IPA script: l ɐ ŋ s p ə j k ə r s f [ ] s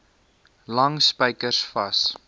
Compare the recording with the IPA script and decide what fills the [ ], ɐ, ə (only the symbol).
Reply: ɐ